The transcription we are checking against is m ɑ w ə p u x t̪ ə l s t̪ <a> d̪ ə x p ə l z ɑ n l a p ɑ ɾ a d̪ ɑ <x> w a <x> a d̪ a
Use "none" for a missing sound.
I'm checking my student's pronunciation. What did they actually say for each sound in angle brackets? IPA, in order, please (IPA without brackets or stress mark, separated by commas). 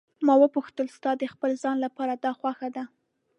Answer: ɑ, x, x